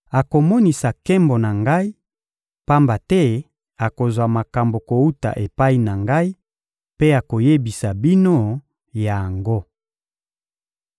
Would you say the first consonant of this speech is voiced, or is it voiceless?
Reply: voiceless